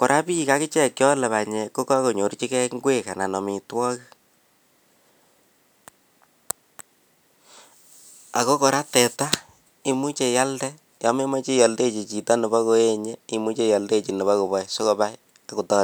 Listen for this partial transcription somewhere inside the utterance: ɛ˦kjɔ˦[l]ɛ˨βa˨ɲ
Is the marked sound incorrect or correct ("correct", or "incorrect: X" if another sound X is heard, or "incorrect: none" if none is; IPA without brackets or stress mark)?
correct